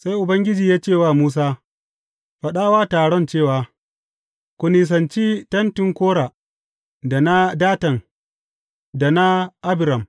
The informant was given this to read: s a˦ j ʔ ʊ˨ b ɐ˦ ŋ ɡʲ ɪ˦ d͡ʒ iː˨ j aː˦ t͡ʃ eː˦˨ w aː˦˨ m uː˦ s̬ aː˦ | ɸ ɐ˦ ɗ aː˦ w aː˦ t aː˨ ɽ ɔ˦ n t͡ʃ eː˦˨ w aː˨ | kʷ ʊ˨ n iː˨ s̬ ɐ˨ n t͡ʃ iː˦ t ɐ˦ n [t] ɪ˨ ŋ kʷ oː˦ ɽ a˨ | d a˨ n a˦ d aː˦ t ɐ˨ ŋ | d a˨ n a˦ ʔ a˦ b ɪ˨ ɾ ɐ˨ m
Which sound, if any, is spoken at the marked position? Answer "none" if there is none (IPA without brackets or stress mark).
t